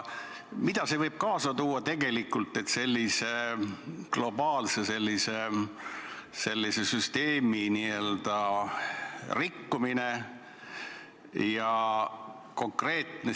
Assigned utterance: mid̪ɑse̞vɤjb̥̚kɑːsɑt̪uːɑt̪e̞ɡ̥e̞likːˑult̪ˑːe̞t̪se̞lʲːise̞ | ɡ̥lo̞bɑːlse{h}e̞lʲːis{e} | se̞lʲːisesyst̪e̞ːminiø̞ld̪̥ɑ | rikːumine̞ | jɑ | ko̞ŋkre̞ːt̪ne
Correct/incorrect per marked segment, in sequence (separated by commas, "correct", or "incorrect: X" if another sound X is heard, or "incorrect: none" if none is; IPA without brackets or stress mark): incorrect: s, correct